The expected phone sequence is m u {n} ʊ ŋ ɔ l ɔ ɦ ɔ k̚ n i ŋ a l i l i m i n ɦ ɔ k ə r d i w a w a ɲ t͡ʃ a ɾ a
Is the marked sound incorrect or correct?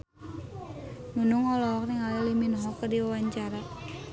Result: correct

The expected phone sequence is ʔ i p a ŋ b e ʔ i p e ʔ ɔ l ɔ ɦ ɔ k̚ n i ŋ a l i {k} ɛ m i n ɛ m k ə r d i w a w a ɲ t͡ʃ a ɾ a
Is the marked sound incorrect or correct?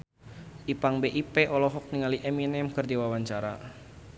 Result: incorrect: ʔ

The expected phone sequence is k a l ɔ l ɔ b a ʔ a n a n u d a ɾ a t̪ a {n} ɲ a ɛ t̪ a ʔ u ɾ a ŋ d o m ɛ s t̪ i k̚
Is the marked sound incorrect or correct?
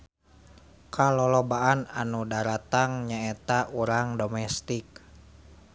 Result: incorrect: ŋ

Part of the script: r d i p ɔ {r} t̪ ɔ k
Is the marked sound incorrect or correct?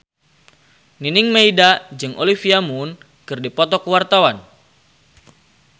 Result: incorrect: none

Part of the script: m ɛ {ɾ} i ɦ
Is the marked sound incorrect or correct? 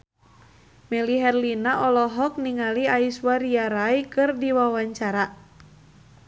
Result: incorrect: l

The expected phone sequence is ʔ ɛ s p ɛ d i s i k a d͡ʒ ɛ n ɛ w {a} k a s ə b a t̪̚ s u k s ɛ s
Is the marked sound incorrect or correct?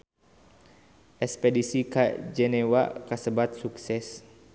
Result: correct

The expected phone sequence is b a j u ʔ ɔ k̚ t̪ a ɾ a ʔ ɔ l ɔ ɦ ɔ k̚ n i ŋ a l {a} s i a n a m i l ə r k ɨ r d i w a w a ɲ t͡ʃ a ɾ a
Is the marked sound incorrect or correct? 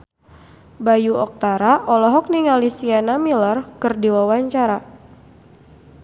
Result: incorrect: i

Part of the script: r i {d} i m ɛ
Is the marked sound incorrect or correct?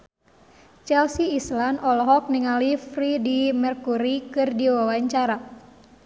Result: correct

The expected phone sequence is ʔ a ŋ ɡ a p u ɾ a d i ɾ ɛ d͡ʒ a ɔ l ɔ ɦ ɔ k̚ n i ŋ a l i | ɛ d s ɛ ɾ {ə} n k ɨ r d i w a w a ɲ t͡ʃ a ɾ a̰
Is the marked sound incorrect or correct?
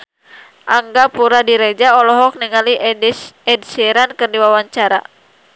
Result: incorrect: a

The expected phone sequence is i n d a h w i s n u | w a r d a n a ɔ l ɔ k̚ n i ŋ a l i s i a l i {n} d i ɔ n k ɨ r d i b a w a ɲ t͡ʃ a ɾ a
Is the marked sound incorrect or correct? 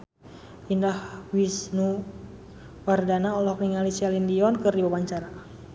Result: correct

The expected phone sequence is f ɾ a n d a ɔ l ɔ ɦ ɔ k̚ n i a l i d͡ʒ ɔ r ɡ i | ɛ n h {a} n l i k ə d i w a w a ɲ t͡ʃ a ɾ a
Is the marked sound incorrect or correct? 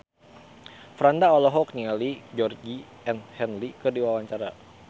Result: incorrect: ɛ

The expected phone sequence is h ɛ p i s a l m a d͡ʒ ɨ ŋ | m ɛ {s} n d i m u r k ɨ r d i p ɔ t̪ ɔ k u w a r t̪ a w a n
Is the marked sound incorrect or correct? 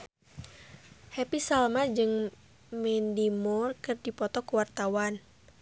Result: incorrect: none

